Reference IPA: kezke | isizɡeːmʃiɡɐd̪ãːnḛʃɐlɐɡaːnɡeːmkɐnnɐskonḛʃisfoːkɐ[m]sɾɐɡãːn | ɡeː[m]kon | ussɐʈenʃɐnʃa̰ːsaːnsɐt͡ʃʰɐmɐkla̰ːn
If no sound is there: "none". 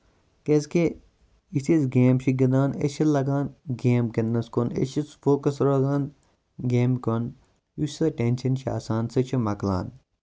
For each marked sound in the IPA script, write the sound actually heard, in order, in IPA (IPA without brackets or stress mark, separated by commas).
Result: none, m